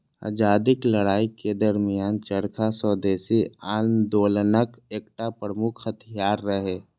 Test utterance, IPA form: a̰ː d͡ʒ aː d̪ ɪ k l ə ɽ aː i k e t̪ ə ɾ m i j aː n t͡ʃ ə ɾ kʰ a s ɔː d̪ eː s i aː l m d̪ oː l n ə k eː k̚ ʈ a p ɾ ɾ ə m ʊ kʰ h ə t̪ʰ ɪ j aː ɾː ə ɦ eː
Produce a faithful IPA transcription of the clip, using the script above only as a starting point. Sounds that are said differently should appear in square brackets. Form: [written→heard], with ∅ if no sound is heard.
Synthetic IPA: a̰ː d͡ʒ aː d̪ ɪ k l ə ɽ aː i k e [t̪→d̪] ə ɾ m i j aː n t͡ʃ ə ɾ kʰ a s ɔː d̪ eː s i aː l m d̪ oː l n ə k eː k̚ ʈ a p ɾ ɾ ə m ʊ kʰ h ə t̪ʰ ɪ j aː ɾː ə ɦ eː